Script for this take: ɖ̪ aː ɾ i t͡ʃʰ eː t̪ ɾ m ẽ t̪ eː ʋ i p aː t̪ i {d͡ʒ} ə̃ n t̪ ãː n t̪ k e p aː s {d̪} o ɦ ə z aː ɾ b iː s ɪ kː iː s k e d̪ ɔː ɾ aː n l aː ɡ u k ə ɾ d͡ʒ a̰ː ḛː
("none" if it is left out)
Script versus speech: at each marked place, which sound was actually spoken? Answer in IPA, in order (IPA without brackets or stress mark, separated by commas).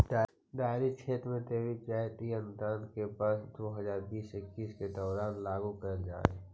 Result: none, d̪